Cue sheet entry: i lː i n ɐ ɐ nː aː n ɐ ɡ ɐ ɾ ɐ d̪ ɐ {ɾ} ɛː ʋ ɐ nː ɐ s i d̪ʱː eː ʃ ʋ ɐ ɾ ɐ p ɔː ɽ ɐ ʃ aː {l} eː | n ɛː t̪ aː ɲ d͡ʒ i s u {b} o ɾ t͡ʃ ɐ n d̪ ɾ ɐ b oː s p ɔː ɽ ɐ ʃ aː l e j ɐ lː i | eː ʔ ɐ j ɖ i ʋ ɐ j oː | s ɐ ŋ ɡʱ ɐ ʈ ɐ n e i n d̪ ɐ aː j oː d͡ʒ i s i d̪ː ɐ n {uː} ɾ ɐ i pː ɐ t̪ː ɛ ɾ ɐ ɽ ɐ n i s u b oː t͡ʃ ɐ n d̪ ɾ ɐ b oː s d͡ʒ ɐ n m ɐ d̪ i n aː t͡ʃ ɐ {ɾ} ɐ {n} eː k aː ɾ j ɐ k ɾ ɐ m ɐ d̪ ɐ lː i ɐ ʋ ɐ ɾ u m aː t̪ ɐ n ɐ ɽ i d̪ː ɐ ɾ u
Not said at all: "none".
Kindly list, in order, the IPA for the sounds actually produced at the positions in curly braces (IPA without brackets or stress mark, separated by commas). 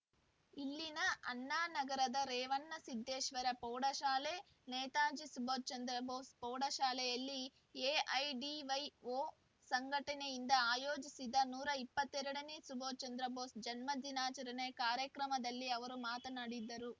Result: ɾ, l, b, uː, ɾ, n